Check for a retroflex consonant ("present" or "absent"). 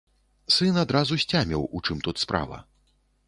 present